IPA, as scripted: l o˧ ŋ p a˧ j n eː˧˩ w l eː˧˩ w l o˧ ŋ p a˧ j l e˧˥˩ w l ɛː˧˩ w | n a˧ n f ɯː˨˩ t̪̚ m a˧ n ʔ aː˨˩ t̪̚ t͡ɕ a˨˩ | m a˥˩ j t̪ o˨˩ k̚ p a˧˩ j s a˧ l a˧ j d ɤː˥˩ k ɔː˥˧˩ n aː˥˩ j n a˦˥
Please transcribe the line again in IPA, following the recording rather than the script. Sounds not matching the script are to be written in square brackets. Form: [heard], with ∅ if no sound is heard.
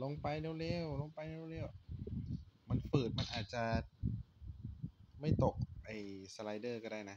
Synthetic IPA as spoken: l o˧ ŋ p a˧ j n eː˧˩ w l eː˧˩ w l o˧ ŋ p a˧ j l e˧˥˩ w l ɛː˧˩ w | [m] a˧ n f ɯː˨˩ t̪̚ m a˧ n ʔ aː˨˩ t̪̚ t͡ɕ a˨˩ | m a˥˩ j t̪ o˨˩ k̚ [ʔ] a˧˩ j s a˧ l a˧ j d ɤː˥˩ k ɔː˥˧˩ [d] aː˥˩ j n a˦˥